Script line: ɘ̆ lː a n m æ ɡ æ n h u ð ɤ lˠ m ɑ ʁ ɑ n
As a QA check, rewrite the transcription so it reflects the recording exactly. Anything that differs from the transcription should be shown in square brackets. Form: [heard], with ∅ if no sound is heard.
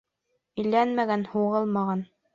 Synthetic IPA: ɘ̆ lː [æ] n m æ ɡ æ n h u [ʁ] ɤ lˠ m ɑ ʁ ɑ n